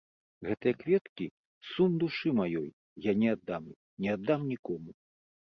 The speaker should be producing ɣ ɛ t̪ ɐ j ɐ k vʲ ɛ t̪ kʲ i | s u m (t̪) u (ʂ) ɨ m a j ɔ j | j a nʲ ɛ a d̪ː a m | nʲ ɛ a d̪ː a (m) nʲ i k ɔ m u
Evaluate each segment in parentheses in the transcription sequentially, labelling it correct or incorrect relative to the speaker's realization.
incorrect, correct, correct

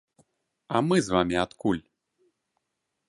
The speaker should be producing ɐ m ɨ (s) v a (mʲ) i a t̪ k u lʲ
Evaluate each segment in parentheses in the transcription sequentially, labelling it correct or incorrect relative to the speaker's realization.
incorrect, correct

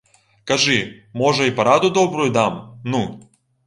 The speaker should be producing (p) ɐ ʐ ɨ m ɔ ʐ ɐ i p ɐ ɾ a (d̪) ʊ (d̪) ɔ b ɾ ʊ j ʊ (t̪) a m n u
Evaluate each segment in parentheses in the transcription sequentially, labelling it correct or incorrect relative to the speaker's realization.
incorrect, correct, correct, incorrect

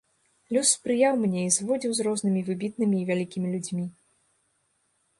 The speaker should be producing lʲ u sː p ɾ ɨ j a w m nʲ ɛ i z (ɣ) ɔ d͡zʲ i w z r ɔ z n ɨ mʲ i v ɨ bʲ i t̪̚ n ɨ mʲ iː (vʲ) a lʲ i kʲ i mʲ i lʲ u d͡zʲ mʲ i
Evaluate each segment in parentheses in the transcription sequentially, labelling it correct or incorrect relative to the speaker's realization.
incorrect, correct

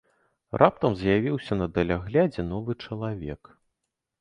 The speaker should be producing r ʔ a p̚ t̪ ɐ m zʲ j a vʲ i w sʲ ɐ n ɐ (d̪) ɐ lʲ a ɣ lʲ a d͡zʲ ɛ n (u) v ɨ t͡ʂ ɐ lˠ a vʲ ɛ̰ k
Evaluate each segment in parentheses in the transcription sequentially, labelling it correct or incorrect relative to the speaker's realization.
correct, incorrect

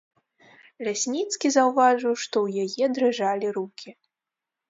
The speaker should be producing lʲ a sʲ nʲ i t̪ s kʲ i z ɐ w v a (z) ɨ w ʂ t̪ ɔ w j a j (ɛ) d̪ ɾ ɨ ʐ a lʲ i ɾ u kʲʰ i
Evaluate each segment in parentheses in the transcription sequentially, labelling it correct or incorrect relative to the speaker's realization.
incorrect, correct

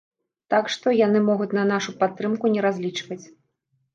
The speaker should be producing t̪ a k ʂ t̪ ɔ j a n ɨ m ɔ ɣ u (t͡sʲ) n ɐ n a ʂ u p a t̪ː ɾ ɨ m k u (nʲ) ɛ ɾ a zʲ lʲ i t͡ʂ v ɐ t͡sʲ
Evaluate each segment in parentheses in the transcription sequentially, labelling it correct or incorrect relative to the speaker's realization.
correct, correct

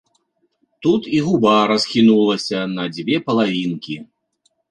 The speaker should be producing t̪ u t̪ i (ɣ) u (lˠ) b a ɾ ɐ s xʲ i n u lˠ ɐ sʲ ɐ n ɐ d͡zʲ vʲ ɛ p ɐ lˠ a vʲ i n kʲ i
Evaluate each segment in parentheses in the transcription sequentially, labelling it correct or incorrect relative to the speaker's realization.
correct, incorrect

